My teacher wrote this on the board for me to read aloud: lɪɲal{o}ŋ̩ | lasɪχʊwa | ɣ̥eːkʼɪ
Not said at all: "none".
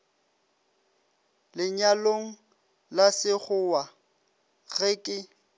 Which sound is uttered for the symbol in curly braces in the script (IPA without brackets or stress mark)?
o